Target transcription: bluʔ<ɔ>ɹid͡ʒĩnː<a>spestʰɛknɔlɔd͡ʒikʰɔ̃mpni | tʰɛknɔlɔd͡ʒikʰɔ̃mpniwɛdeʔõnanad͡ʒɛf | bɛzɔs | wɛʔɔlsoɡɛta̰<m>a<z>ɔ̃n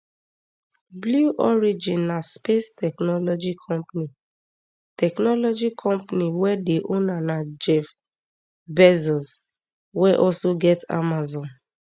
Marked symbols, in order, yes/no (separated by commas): yes, yes, yes, yes